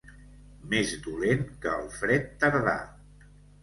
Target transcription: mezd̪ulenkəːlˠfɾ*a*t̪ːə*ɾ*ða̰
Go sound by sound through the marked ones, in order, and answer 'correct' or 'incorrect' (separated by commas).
incorrect, correct